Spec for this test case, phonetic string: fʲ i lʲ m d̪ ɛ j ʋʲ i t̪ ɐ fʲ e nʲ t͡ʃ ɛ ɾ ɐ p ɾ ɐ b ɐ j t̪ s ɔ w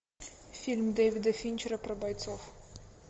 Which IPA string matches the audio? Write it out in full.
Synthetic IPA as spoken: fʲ i lʲ m d̪ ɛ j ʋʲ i d̪ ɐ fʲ i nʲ t͡ʃ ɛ ɾ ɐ p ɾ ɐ b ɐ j t̪ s ɔ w